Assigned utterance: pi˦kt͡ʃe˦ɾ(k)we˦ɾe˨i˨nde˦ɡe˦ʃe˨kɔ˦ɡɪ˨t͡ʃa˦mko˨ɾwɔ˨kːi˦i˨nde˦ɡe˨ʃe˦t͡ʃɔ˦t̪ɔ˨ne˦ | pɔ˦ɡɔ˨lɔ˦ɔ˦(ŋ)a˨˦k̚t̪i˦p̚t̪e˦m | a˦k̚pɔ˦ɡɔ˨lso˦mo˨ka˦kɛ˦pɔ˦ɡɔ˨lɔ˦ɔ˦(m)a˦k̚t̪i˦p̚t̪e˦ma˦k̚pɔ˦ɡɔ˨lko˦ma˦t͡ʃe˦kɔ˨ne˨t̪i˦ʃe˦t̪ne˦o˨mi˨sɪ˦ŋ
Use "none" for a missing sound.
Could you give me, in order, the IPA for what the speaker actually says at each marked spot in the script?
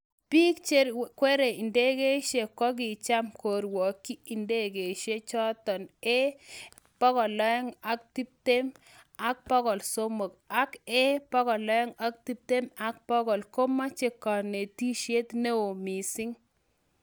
k, ŋ, ŋ

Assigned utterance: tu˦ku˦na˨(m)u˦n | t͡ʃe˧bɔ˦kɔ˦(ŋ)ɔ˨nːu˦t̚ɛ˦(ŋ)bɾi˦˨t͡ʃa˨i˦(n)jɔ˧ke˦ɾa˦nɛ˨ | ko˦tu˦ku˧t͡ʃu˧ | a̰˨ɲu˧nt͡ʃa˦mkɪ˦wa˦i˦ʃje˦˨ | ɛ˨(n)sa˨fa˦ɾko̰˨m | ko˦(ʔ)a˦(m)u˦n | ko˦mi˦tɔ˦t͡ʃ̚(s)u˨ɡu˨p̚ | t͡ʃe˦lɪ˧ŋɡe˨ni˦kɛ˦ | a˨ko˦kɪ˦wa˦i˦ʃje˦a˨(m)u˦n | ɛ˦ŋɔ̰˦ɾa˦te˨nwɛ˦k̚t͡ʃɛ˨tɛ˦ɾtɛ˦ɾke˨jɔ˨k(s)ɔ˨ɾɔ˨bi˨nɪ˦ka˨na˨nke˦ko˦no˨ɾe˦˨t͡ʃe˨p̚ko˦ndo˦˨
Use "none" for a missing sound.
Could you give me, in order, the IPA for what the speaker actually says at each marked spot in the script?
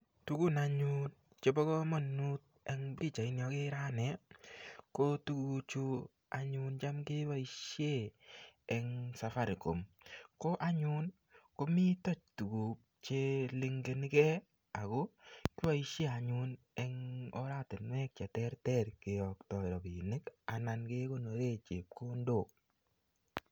ɲ, m, ŋ, n, ŋ, ʔ, ɲ, t, ɲ, t

